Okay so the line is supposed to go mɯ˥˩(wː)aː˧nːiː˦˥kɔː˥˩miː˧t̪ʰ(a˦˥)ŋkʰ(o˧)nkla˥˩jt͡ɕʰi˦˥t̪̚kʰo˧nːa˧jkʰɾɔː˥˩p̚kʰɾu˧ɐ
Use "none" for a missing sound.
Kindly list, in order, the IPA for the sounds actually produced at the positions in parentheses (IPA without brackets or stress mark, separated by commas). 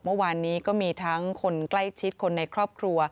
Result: w, a˦˥, o˧